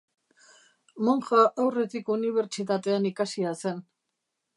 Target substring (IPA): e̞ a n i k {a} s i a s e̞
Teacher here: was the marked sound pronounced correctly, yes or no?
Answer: yes